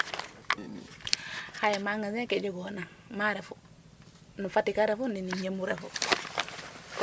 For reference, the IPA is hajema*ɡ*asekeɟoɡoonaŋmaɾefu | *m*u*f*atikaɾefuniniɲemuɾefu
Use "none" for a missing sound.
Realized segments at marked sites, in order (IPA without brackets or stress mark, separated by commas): ŋ, n, f